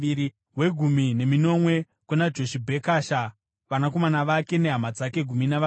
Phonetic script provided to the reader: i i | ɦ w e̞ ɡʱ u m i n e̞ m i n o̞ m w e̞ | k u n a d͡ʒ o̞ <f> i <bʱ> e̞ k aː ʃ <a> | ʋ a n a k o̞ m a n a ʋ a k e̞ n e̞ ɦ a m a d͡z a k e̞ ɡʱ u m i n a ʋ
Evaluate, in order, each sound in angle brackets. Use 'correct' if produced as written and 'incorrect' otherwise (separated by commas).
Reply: incorrect, correct, correct